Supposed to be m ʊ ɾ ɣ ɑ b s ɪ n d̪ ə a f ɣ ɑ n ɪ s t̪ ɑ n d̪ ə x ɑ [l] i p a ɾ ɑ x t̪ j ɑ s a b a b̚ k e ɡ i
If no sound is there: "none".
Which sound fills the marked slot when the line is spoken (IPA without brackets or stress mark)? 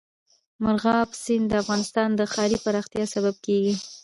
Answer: ɾ